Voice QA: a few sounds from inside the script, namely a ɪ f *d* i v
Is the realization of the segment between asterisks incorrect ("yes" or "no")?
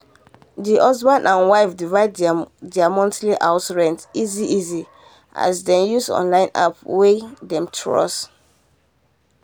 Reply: no